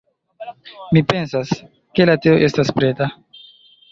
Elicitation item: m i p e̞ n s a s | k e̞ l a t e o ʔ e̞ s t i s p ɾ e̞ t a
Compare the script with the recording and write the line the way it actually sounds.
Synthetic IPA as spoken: m i p e̞ n s a s | k e̞ l a t e o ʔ e̞ s t a s p ɾ e̞ t a

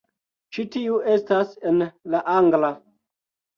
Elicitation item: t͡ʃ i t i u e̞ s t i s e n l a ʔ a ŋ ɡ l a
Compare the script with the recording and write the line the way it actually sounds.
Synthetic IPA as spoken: t͡ʃ i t i u e̞ s t a s e n l a ʔ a ŋ ɡ l a

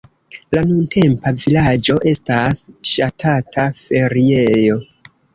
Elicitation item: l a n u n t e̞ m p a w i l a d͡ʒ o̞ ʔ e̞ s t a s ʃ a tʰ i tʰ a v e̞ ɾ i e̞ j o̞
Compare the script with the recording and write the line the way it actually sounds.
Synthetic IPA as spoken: l a n u n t e̞ m p a v i l a d͡ʒ o̞ ʔ e̞ s t a s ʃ a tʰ a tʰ a f e̞ ɾ i e̞ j o̞

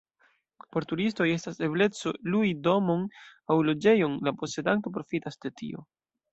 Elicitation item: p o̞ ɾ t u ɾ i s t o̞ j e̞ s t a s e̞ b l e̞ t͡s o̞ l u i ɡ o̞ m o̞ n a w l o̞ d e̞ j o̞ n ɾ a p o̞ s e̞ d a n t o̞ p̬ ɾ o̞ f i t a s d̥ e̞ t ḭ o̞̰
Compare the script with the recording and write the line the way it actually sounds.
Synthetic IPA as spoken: p o̞ ɾ t u ɾ i s t o̞ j e̞ s t a s e̞ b l e̞ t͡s o̞ l u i d o̞ m o̞ n a w l o̞ d͡ʒ e̞ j o̞ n l a p o̞ s e̞ d a n t o̞ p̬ ɾ o̞ f i t a s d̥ e̞ t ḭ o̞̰

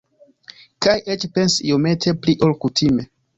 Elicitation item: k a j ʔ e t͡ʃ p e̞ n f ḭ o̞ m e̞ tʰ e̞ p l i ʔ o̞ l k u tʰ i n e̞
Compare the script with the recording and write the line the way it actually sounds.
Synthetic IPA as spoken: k a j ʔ e t͡ʃ p e̞ n s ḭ o̞ m e̞ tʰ e̞ p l i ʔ o̞ l k u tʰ i m e̞

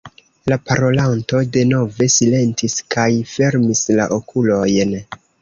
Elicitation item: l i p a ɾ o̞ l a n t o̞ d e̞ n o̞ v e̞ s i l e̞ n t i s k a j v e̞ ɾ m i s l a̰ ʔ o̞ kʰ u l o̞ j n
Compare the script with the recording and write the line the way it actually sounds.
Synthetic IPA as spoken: l a p a ɾ o̞ l a n t o̞ d e̞ n o̞ v e̞ s i l e̞ n t i s k a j f e̞ ɾ m i s l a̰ ʔ o̞ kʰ u l o̞ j n

